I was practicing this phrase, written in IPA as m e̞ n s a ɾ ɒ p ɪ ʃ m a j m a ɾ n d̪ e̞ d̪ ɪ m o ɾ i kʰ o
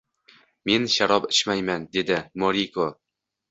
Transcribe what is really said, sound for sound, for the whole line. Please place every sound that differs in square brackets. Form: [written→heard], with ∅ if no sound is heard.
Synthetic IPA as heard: m e̞ n [s→ʃ] a ɾ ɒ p ɪ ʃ m a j m a [ɾ→∅] n d̪ e̞ d̪ ɪ m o ɾ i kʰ o